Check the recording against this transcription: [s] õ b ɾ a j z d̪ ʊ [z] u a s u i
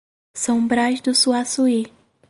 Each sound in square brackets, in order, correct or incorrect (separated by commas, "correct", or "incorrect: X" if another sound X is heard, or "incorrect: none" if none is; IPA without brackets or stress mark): correct, incorrect: s